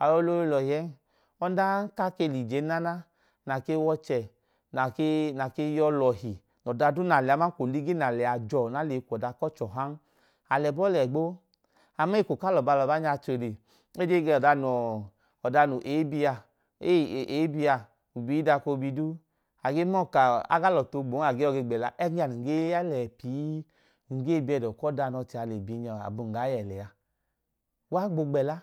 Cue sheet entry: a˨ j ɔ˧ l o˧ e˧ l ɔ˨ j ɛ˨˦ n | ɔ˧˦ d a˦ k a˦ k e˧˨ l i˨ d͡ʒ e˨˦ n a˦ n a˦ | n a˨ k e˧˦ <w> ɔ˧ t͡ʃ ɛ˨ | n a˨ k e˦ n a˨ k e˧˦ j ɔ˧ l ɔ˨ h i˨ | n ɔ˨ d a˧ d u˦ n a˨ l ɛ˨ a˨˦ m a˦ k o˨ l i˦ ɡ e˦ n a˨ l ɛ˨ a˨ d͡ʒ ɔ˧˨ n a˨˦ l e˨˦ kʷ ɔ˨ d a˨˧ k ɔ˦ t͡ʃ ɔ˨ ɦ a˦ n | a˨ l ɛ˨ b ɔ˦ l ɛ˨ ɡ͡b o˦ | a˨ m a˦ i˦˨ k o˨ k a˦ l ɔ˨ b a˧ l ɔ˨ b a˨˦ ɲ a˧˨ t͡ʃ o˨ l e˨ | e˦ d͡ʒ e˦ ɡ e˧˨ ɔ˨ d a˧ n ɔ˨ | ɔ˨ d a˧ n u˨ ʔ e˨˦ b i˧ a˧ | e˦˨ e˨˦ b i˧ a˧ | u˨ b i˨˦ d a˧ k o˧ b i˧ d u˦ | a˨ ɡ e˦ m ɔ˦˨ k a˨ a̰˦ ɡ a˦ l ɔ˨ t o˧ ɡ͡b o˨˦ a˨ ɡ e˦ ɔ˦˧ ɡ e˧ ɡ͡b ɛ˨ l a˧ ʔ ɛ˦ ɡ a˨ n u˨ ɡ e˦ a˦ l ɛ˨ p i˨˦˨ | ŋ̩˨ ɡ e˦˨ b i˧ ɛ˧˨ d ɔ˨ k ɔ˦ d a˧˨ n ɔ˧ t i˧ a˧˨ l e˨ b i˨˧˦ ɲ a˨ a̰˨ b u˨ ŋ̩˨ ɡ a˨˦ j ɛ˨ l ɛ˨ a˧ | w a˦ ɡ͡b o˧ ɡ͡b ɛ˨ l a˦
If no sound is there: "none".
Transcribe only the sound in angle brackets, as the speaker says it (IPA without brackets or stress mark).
w